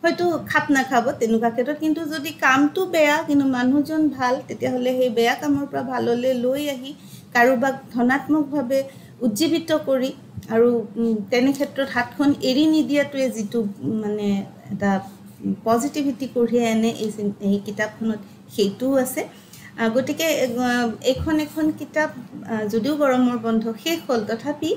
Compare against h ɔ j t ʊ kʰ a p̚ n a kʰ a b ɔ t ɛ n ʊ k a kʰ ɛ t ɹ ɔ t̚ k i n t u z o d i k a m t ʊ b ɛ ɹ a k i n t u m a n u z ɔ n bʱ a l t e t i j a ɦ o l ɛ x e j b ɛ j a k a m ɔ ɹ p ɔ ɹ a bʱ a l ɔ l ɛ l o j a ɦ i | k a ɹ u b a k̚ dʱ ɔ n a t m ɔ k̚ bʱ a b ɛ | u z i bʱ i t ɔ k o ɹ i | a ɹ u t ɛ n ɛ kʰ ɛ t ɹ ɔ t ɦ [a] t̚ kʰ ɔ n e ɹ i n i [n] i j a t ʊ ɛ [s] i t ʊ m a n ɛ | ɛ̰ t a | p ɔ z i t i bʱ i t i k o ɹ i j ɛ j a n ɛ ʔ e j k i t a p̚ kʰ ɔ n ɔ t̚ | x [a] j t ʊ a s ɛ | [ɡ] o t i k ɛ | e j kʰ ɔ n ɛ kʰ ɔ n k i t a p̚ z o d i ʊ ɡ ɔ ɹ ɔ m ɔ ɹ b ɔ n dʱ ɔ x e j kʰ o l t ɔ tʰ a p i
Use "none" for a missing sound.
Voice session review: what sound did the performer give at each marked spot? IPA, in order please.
a, d, z, e, ɡ

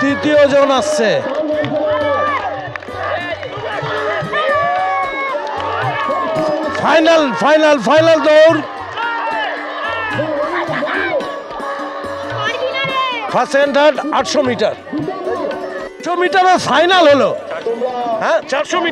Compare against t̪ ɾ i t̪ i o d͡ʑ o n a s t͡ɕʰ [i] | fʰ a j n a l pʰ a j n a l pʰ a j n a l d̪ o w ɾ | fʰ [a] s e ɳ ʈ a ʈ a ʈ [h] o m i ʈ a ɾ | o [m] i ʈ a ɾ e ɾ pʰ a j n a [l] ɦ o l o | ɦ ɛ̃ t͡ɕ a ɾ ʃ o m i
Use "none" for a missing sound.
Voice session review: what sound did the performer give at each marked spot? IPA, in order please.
e, a, ʃ, m, l

